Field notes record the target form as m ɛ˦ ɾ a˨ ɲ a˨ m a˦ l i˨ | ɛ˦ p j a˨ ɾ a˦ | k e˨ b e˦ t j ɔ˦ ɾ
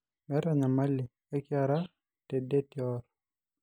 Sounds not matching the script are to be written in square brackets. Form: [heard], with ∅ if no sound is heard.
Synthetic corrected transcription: m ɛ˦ ɾ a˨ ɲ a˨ m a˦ l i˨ | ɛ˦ [k] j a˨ ɾ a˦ | [t] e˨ [d] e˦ t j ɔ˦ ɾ